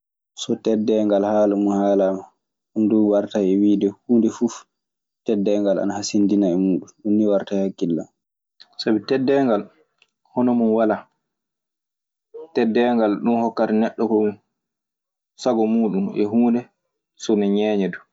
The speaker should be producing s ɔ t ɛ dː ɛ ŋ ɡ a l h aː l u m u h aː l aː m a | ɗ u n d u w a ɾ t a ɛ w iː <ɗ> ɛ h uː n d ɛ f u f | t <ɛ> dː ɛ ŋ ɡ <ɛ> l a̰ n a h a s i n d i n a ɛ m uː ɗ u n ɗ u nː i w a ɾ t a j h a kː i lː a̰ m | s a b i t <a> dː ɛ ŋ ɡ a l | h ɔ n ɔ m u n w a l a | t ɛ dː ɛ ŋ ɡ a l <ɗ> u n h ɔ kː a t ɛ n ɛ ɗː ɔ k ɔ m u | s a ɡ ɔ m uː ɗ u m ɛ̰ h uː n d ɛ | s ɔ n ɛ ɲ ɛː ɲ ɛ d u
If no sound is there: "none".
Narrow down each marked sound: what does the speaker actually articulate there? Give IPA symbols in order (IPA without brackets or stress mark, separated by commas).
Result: d, ɛ, a, ɛ, ɗ